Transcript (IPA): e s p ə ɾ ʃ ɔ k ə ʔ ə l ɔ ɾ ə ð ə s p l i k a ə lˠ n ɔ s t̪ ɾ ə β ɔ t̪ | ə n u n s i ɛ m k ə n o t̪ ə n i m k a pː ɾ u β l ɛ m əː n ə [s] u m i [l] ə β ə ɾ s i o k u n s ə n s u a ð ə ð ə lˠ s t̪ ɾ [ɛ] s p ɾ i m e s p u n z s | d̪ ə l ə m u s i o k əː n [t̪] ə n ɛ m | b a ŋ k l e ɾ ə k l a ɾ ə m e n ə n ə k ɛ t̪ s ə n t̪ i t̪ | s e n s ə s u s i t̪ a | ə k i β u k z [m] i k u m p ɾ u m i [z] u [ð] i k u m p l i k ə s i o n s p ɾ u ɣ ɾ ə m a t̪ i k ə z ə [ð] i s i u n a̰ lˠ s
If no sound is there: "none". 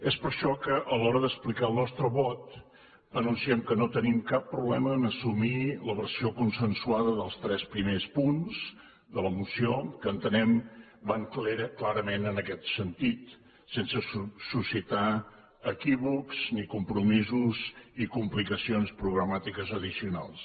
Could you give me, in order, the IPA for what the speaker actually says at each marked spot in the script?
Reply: s, l, ɛ, t̪, n, z, z, ð

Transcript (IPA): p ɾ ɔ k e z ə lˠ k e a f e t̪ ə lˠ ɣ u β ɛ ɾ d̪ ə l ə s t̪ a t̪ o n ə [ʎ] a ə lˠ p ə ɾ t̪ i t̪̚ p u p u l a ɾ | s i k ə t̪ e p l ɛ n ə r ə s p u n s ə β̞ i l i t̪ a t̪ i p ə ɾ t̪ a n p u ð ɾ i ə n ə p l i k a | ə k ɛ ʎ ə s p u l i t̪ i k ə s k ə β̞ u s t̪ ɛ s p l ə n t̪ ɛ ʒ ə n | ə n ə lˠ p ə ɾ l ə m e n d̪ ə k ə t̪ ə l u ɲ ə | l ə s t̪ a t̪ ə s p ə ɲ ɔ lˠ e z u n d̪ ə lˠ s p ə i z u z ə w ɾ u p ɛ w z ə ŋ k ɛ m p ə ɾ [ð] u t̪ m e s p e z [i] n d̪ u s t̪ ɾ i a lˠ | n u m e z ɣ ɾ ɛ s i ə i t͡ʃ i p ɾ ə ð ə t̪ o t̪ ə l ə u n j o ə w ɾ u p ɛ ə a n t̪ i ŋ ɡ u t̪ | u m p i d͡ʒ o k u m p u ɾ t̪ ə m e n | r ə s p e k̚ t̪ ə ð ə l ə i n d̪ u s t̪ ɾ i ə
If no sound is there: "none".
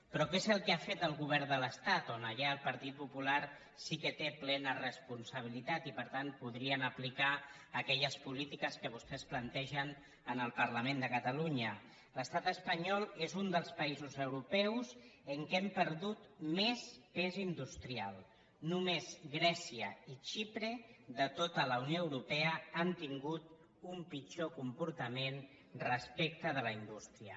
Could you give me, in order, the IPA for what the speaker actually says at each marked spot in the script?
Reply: ʎ, ð, i

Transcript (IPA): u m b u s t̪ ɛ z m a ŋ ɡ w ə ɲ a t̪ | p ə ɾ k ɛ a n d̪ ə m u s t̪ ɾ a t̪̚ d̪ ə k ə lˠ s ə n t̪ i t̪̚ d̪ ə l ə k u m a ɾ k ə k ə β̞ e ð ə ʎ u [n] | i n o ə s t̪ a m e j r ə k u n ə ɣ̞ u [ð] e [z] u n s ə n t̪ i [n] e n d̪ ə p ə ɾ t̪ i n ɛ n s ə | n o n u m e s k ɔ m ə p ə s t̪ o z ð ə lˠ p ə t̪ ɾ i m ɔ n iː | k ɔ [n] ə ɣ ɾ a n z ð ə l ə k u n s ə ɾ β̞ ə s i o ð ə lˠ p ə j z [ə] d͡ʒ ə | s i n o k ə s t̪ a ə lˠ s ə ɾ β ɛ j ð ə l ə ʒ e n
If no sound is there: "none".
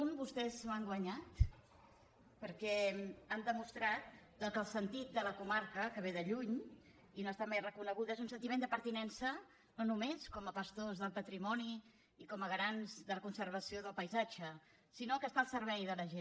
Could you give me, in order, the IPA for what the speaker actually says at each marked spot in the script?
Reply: ɲ, ð, z, m, m, a

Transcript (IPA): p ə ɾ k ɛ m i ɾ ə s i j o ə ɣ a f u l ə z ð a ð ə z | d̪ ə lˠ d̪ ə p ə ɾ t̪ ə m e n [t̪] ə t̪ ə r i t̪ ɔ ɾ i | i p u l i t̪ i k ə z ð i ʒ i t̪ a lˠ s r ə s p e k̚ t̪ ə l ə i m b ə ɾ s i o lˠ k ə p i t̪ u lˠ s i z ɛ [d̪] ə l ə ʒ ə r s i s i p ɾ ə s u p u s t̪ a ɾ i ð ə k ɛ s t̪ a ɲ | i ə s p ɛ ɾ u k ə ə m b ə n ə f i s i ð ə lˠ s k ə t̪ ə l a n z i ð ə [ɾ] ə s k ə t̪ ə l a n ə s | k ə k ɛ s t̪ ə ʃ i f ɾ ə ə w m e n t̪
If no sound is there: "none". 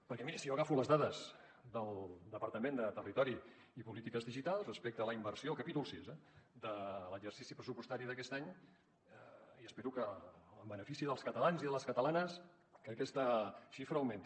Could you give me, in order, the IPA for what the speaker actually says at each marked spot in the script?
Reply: d̪, d̪, l

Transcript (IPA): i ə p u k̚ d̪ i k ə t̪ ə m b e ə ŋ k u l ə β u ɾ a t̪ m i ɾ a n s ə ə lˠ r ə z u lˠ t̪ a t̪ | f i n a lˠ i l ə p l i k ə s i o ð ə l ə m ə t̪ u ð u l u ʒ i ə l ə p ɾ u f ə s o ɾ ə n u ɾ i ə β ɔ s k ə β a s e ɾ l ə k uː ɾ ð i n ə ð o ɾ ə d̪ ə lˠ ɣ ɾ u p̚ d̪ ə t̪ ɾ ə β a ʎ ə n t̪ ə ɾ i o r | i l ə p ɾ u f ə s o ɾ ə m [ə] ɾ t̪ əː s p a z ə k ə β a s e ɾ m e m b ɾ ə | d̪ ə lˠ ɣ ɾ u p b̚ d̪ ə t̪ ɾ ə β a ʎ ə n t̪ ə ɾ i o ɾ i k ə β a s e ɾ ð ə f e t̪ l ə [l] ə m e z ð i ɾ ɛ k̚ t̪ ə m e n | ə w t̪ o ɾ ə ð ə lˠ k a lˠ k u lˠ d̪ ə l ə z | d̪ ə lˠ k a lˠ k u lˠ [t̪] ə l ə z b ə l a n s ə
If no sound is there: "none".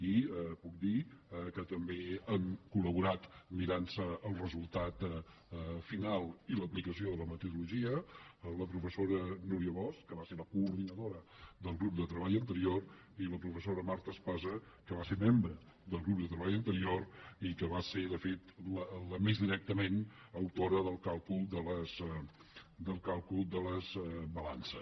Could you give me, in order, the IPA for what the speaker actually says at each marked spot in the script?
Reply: a, l, d̪

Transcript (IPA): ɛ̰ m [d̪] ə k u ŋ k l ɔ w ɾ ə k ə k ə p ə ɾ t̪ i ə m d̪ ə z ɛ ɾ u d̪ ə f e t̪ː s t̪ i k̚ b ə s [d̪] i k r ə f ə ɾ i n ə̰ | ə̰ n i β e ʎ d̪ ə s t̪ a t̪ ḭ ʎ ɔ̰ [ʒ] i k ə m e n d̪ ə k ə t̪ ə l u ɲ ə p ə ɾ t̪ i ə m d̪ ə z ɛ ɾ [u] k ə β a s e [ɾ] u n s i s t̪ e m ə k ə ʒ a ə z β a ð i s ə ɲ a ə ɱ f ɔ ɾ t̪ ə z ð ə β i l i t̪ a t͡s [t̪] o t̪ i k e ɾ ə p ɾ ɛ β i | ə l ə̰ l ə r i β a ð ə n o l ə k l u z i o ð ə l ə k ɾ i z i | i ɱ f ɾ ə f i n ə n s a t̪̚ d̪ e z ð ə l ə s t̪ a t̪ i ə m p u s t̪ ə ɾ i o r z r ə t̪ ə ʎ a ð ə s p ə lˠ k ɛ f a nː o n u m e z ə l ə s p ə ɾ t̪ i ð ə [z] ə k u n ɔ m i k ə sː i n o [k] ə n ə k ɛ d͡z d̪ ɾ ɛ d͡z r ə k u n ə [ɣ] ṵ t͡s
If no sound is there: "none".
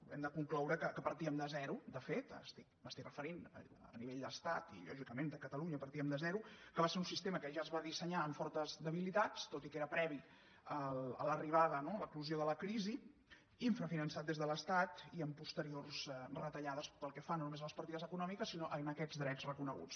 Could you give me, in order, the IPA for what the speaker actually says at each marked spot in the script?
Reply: d̪, t̪, ʒ, u, ɾ, t̪, z, ʔ, ɣ

